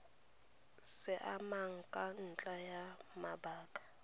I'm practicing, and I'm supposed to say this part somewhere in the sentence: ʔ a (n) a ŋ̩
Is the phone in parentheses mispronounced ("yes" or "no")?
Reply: yes